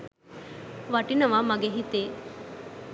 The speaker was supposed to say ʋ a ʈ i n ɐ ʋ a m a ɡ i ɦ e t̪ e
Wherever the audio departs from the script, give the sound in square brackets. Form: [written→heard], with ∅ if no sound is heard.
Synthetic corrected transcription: ʋ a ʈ i n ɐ ʋ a m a ɡ [i→e] ɦ [e→i] t̪ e